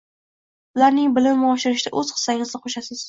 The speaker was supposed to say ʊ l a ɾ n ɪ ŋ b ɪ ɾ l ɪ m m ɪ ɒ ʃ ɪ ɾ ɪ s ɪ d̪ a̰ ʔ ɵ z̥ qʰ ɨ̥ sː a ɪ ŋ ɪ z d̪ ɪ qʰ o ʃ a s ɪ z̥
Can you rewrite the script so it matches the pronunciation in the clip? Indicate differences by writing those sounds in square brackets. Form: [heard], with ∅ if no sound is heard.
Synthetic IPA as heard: ʊ l a ɾ n ɪ ŋ b ɪ [∅] l ɪ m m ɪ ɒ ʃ ɪ ɾ ɪ [ʃ] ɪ d̪ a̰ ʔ ɵ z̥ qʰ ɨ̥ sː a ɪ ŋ ɪ z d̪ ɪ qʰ o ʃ a s ɪ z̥